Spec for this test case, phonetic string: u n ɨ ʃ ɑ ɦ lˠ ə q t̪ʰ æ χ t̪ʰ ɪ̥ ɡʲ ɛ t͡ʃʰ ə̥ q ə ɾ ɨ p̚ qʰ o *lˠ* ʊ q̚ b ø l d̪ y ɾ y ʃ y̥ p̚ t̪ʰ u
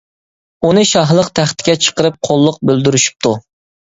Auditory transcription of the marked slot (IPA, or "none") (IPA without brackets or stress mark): lˠː